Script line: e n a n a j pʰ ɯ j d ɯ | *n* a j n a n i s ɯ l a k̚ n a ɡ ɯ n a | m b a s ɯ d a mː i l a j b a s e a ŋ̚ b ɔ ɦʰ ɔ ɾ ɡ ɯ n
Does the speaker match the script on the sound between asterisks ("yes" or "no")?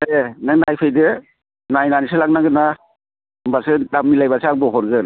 yes